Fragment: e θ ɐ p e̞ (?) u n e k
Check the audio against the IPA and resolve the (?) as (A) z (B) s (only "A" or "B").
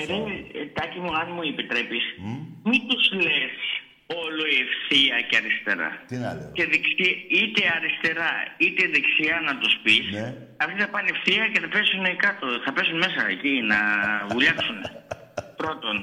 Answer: B